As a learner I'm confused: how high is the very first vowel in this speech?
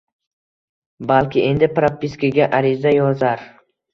low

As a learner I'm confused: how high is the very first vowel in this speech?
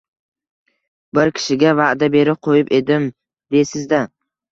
high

